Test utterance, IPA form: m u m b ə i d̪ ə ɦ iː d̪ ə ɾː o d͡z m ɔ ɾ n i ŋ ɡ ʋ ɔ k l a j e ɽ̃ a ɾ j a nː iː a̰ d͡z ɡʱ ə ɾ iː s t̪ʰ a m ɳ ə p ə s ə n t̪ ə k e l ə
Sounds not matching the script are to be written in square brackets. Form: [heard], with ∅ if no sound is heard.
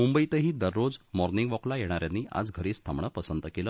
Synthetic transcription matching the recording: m u m b ə i [t̪] ə ɦ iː d̪ ə ɾː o d͡z m ɔ ɾ n i ŋ ɡ ʋ ɔ k l a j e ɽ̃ a ɾ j a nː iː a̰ d͡z ɡʱ ə ɾ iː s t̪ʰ a m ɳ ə p ə s ə n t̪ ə k e l ə